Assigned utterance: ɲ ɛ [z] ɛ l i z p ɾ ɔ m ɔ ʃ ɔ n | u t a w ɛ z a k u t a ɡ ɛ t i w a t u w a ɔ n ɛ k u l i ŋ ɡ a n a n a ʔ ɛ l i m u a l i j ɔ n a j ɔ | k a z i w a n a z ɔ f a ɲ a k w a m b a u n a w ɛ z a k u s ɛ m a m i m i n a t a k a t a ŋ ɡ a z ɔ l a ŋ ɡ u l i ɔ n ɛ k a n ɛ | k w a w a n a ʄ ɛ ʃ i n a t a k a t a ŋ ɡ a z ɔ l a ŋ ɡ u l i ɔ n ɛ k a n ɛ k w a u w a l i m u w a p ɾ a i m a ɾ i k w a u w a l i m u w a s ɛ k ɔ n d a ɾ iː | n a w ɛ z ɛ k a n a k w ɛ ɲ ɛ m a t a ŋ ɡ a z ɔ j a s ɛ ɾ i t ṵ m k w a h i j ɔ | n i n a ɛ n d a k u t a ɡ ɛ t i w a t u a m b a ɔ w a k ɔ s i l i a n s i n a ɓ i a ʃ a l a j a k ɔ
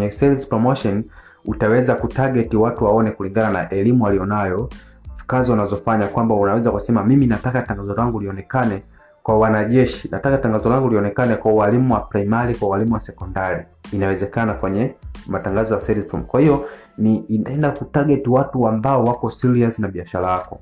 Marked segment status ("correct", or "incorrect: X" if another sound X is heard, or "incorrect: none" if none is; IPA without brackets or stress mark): incorrect: s